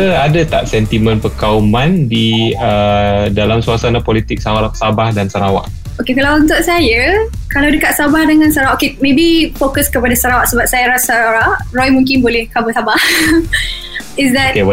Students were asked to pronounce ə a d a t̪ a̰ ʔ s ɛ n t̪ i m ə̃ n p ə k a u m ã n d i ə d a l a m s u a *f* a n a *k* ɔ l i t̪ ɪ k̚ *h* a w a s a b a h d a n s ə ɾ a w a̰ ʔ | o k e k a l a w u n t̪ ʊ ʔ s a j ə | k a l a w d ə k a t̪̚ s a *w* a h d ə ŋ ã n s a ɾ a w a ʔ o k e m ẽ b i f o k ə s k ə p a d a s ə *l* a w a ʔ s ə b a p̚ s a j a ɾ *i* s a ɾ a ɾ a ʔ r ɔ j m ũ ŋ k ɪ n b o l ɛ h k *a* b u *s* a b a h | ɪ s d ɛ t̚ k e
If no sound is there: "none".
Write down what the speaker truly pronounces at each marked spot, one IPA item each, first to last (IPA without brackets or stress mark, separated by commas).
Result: s, p, s, b, ɾ, a, a, s